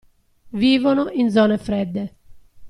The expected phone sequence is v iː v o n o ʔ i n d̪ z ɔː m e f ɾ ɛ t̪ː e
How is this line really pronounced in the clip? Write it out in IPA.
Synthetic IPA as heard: v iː v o n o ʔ i n d̪ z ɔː n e f ɾ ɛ d̪ː e